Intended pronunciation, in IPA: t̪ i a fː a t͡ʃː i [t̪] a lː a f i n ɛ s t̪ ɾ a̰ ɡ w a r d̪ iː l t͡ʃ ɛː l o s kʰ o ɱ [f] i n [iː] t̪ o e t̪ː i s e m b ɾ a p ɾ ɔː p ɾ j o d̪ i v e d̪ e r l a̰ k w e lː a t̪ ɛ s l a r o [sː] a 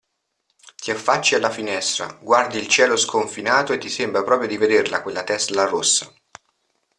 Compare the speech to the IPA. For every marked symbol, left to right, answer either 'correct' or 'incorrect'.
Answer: incorrect, correct, incorrect, correct

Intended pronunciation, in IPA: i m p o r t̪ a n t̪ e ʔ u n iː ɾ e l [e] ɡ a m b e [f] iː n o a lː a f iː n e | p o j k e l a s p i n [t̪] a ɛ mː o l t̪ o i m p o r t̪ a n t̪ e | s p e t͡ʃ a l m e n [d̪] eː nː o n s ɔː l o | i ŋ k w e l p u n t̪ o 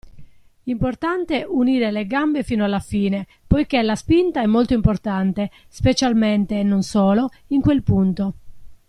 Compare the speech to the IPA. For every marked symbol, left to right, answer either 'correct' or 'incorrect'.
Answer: correct, correct, correct, incorrect

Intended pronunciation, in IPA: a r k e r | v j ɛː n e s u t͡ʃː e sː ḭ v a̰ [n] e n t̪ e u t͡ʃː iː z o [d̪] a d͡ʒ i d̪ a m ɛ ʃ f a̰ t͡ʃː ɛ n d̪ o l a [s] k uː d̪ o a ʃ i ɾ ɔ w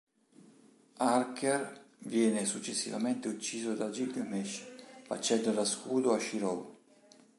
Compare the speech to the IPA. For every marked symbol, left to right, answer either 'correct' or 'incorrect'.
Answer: incorrect, correct, correct

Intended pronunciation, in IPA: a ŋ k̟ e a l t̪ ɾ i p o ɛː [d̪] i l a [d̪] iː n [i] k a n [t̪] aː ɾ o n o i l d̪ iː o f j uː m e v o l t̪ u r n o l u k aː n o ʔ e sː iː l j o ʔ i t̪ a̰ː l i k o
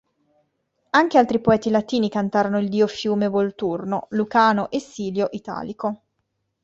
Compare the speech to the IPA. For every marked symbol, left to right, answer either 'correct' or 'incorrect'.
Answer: incorrect, incorrect, correct, correct

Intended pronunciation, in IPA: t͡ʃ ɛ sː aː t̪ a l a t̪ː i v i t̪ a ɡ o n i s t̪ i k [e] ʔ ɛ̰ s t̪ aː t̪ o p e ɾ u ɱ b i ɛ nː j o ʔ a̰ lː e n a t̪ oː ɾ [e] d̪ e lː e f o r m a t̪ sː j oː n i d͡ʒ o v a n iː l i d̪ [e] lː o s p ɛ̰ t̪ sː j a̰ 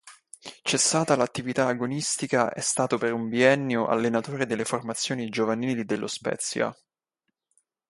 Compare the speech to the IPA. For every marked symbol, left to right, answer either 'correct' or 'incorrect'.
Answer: incorrect, correct, correct

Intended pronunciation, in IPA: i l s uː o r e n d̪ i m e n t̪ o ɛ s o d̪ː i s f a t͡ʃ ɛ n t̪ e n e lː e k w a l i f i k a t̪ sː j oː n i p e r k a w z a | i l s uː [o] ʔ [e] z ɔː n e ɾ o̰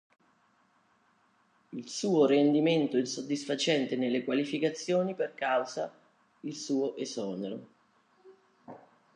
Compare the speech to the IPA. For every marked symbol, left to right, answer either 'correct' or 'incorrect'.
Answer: correct, correct

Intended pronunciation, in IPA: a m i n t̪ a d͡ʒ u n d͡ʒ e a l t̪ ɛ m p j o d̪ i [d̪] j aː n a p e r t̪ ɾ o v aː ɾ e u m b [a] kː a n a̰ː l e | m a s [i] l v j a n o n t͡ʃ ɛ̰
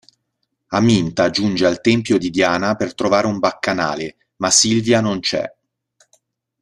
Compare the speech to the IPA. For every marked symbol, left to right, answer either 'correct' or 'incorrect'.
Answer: correct, correct, correct

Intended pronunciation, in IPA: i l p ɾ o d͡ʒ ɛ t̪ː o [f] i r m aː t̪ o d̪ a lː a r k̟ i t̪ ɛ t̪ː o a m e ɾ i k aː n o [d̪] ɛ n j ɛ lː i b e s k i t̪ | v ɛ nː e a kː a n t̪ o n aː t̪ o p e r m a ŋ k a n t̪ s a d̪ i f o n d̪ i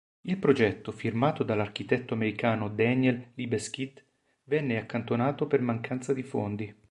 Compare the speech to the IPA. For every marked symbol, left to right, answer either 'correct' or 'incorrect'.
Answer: correct, correct

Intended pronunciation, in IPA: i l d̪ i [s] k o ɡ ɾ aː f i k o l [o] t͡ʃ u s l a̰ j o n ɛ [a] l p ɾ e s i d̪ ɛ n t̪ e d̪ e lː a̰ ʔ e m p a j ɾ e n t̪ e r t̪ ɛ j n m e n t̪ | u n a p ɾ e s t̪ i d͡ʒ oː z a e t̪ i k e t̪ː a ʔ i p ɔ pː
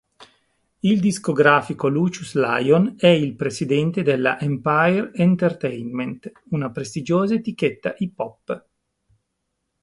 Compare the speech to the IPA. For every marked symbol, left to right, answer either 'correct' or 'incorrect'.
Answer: correct, incorrect, incorrect

